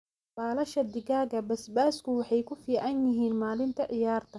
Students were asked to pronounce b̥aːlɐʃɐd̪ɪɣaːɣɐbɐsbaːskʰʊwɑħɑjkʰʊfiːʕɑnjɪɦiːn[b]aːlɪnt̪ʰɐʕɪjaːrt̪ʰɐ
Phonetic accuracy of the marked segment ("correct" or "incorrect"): incorrect